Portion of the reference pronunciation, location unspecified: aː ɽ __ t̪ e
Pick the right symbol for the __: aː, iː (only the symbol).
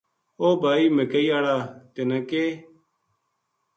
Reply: aː